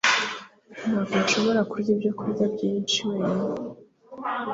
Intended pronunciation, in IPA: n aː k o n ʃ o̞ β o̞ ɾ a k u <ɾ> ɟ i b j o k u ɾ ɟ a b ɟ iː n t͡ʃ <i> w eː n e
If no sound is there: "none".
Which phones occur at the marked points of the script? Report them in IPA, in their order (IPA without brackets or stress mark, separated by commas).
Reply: ɾ, i